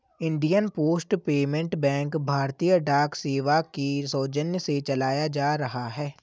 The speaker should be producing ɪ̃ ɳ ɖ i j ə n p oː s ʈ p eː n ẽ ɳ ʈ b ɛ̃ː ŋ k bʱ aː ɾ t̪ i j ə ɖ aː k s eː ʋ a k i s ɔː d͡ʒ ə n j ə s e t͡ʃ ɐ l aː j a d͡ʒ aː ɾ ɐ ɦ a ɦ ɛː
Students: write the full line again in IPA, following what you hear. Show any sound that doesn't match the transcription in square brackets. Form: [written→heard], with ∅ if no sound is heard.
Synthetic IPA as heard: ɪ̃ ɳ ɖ i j ə n p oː s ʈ p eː [n→m] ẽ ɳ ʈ b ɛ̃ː ŋ k bʱ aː ɾ t̪ i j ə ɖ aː k s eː ʋ a k i s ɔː d͡ʒ ə n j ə s e t͡ʃ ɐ l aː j a d͡ʒ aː ɾ ɐ ɦ a ɦ ɛː